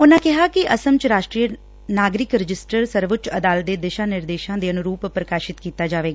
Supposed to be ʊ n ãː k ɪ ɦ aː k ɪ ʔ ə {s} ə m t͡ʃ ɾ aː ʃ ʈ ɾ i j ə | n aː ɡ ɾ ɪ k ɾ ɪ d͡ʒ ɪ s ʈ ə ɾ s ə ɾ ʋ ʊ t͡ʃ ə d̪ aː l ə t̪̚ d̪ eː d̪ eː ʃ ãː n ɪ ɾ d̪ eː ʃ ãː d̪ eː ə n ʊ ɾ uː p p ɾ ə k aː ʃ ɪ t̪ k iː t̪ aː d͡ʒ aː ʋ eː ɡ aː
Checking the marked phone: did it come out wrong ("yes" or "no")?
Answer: no